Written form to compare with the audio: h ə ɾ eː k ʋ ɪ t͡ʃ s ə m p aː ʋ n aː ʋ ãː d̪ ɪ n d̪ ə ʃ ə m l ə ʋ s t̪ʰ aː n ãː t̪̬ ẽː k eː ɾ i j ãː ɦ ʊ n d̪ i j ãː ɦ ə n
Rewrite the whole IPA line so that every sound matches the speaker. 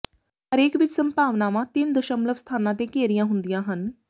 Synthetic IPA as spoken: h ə ɾ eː k ʋ ɪ t͡ʃ s ə m p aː ʋ n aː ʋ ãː t̪ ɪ n d̪ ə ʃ ə m l ə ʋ s t̪ʰ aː n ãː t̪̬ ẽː k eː ɾ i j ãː ɦ ʊ n d̪ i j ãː ɦ ə n